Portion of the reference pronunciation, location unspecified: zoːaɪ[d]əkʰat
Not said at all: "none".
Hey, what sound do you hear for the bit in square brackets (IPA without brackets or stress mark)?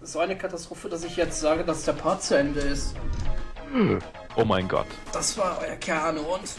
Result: n